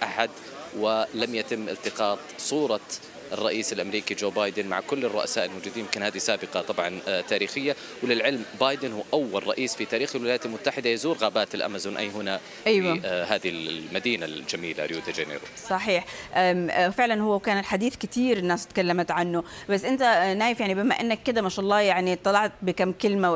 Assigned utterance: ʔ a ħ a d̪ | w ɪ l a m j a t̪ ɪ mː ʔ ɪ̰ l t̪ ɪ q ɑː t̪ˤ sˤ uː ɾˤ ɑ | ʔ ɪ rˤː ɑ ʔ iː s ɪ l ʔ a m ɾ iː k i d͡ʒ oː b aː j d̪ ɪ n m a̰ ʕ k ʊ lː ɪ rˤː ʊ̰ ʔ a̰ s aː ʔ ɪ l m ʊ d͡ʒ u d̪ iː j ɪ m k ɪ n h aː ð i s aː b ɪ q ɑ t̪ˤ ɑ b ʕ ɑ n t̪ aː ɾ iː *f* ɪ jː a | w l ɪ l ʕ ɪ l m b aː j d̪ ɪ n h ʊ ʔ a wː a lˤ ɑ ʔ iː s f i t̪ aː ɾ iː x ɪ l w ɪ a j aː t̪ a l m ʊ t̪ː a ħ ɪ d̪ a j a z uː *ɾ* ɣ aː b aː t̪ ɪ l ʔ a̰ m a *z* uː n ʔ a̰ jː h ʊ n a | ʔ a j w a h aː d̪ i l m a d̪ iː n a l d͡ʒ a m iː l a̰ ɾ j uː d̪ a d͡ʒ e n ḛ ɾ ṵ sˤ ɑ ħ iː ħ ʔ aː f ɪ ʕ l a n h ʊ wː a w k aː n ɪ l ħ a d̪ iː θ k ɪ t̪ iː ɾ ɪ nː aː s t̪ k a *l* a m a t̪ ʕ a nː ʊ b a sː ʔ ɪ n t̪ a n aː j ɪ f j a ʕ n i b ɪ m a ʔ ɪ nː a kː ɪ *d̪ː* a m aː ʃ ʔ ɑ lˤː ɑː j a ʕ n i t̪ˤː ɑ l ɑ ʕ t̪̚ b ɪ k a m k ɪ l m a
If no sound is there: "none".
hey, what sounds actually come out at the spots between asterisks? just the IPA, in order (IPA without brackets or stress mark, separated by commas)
x, ɾ, z, lː, d̪